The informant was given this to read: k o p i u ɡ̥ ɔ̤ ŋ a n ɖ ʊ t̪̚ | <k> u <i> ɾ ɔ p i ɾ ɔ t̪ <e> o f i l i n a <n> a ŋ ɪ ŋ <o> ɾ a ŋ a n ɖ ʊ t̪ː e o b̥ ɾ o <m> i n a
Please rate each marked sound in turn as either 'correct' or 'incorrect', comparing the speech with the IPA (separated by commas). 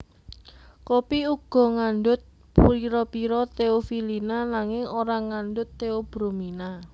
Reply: incorrect, correct, correct, correct, correct, correct